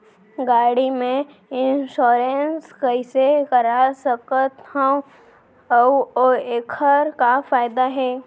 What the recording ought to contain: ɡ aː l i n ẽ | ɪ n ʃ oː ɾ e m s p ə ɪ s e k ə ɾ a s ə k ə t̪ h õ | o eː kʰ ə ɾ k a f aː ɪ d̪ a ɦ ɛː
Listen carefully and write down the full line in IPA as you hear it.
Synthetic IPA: ɡ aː ɽ i m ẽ | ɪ n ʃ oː ɾ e n s k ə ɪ s e k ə ɾ a s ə k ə t̪ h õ | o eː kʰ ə ɾ k a f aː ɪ d̪ a ɦ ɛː